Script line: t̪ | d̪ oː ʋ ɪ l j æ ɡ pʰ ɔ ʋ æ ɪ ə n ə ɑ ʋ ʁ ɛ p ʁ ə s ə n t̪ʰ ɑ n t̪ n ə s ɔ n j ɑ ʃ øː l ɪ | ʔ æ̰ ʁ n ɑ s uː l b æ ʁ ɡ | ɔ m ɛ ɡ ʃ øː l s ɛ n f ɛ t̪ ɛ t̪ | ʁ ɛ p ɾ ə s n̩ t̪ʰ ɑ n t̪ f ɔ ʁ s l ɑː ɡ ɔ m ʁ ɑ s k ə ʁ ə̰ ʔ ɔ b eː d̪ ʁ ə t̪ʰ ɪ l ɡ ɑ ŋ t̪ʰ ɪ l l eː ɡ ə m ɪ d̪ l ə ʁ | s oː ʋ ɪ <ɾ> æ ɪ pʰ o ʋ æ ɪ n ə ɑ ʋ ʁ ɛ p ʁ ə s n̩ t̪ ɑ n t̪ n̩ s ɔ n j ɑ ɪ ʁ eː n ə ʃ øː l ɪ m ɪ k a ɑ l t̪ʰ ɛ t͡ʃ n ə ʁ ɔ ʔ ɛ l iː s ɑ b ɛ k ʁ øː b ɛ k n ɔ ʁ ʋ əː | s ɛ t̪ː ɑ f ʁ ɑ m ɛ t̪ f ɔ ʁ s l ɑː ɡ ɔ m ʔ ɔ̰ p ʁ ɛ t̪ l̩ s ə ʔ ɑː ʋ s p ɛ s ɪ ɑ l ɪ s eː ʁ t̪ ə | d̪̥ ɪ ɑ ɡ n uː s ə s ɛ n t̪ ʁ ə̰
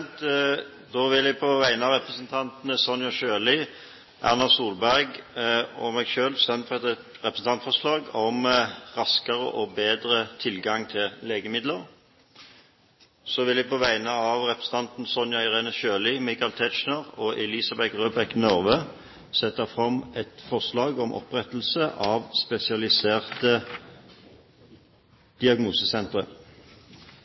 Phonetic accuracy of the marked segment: incorrect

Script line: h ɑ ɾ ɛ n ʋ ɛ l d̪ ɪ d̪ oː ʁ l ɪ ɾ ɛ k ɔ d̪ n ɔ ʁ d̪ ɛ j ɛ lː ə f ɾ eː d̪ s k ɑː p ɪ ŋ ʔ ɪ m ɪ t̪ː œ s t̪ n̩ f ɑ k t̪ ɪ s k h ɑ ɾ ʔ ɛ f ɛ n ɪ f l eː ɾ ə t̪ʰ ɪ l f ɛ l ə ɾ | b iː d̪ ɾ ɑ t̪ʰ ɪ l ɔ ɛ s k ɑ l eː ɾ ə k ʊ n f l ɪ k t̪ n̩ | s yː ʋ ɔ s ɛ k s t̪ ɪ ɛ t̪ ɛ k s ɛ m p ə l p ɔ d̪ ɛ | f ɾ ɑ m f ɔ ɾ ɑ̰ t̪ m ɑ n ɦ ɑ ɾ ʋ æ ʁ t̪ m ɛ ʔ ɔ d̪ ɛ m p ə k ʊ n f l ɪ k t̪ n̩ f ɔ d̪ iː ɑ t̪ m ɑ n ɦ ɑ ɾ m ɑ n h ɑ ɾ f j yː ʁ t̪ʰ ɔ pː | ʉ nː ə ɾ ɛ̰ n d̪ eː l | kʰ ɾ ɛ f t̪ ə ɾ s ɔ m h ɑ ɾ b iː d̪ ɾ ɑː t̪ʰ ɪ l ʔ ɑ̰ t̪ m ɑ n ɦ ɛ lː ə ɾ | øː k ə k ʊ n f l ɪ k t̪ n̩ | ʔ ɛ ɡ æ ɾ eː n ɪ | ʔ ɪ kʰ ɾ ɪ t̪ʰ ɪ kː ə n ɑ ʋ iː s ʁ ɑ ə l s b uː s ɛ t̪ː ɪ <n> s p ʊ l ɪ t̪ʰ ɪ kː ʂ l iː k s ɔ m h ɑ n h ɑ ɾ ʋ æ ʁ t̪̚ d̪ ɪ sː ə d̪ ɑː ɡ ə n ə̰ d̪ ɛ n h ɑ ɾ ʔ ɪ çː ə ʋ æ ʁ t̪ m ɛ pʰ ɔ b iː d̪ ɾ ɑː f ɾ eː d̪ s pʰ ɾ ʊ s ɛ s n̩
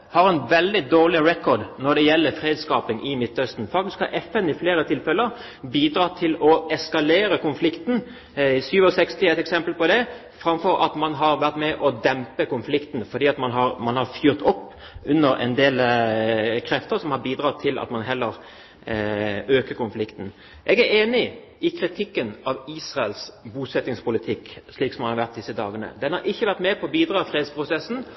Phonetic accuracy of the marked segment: incorrect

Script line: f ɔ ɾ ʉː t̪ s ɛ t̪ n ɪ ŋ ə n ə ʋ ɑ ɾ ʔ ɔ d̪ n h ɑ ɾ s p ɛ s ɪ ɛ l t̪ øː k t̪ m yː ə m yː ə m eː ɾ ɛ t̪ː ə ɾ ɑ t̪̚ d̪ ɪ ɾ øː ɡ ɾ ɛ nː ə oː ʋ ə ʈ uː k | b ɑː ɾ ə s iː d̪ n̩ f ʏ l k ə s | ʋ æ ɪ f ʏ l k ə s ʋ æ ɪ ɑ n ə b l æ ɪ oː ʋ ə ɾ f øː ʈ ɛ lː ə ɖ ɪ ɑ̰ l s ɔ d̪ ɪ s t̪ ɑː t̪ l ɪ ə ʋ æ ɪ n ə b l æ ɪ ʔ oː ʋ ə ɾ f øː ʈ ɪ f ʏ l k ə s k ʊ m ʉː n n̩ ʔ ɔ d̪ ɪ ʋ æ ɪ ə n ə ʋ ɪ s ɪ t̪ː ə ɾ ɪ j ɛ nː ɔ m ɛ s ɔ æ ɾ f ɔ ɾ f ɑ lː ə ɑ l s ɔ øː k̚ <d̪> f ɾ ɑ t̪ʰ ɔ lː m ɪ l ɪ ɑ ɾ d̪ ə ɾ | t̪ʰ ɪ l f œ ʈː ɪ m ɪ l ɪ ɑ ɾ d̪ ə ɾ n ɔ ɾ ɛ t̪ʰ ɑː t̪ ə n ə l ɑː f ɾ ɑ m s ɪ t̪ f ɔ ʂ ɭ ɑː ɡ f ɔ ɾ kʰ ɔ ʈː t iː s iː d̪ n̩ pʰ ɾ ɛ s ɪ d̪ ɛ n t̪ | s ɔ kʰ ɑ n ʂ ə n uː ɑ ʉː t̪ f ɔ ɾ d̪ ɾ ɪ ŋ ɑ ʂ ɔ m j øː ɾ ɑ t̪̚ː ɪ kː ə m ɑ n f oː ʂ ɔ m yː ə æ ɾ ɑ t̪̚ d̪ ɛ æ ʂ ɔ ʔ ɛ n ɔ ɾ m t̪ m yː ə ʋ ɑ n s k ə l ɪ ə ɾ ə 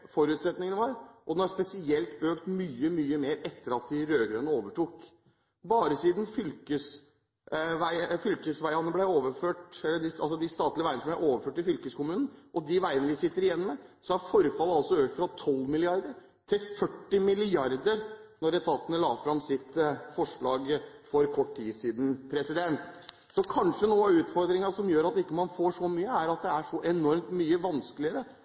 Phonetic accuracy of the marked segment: incorrect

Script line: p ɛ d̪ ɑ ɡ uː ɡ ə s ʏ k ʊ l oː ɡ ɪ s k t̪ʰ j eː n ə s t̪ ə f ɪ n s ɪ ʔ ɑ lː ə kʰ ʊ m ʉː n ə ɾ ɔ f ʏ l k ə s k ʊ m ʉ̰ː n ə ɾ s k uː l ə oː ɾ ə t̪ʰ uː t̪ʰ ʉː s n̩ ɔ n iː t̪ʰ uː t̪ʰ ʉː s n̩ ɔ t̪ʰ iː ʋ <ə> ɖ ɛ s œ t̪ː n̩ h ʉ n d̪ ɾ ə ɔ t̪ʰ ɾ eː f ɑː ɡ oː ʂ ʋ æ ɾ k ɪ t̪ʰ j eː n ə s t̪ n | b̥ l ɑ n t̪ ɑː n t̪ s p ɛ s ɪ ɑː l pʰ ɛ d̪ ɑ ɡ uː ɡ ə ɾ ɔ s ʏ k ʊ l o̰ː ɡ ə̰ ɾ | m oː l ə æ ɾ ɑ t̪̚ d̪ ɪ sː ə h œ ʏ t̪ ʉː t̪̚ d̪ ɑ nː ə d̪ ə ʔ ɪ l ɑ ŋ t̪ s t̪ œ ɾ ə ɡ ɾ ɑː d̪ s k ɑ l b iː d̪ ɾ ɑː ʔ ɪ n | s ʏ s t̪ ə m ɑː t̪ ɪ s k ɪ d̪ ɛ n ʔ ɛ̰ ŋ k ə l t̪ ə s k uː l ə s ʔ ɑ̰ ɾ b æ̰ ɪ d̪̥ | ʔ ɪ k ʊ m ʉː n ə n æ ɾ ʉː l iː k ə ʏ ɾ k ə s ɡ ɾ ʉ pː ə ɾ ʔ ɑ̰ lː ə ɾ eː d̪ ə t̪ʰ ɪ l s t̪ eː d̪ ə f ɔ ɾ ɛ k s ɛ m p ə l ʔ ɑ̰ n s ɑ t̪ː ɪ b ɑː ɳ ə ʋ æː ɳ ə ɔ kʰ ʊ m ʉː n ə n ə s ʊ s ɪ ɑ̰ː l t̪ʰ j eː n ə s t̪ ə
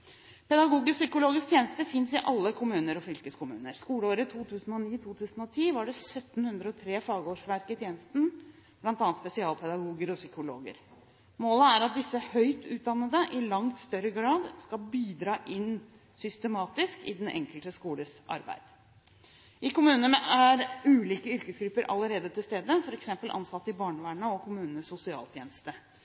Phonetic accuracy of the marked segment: incorrect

